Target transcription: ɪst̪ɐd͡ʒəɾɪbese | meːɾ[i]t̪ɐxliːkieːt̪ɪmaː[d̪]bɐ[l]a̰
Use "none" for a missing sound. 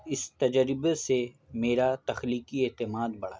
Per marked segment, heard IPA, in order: a, d̪, ɽ

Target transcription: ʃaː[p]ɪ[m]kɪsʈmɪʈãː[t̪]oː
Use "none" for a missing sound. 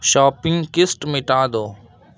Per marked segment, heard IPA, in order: p, ŋ, d̪

